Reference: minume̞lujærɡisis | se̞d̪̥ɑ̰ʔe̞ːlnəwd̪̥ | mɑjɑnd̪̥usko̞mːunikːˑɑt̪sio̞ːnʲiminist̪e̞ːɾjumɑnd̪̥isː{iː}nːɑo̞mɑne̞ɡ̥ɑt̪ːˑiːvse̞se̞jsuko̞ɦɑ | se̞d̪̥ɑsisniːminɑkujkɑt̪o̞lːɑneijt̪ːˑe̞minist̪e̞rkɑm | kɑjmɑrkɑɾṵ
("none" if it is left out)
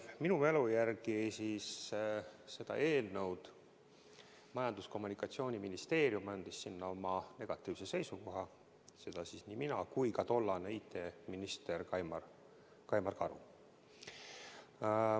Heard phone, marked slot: i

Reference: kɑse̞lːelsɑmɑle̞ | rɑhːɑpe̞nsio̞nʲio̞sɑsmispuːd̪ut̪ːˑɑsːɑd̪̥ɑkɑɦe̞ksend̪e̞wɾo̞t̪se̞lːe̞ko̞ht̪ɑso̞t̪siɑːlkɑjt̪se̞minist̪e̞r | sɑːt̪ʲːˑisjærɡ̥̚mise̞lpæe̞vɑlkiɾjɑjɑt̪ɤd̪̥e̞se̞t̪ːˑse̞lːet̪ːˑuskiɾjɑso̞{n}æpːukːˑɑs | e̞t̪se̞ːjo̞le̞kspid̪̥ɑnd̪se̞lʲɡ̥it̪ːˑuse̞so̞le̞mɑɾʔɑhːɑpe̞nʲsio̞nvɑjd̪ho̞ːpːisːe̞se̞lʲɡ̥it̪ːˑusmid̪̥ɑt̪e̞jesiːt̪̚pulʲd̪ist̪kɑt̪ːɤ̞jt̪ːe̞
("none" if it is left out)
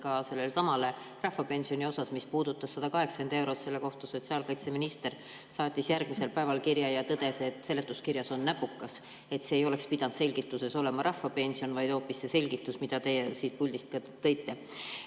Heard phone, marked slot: nː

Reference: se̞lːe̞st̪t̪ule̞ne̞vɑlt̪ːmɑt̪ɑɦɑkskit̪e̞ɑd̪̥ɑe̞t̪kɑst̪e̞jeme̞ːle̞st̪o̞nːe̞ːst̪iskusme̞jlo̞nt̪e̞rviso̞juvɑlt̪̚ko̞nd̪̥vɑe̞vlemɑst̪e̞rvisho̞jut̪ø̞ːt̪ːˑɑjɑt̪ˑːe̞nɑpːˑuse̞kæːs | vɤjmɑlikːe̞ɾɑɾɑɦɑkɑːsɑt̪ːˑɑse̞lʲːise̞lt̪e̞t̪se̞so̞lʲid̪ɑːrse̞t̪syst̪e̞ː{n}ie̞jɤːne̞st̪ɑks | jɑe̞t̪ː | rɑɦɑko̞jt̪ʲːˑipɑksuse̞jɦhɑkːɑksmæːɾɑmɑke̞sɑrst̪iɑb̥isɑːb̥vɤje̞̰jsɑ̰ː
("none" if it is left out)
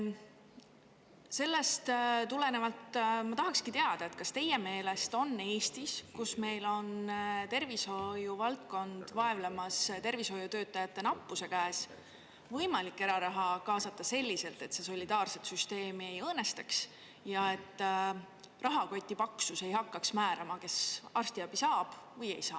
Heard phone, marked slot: m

